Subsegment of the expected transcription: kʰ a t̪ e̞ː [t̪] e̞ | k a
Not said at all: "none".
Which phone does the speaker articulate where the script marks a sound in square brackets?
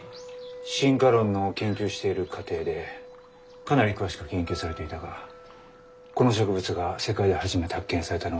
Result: d̪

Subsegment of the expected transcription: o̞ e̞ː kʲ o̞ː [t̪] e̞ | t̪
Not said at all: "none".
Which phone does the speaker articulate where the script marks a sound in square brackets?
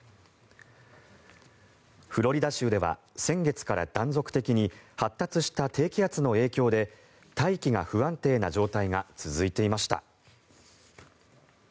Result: d̪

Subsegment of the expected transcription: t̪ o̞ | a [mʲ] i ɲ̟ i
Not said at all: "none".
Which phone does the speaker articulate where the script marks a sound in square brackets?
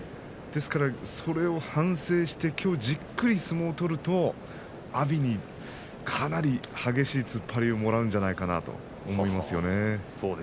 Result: bʲ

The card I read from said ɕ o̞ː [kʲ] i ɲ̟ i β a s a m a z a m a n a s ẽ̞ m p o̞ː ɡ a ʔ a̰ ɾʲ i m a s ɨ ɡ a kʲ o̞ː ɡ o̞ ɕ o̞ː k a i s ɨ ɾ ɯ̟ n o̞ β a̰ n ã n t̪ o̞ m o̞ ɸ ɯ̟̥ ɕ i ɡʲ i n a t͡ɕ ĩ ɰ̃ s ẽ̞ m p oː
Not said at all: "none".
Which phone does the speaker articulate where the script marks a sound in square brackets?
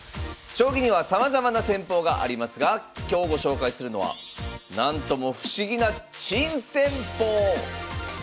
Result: ɡʲ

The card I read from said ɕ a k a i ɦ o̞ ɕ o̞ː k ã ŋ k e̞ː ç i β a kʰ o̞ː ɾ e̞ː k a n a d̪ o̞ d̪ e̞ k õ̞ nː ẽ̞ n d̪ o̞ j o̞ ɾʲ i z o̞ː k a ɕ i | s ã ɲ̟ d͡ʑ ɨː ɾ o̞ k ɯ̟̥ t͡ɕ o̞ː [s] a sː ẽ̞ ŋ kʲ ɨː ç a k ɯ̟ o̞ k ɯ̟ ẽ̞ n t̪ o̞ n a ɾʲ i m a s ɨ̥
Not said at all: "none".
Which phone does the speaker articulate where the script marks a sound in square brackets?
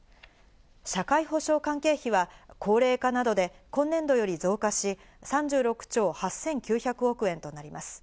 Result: h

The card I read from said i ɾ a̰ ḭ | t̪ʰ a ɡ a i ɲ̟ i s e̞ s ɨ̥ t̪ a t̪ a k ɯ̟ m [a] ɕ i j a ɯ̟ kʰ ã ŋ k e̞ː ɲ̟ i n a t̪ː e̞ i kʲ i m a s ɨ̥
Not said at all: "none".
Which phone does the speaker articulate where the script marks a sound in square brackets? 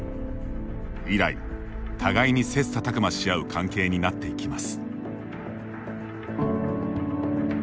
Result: a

